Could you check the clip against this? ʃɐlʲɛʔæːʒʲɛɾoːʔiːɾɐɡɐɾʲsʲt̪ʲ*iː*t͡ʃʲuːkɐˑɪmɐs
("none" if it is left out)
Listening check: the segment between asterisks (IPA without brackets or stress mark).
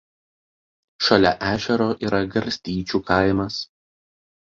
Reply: iː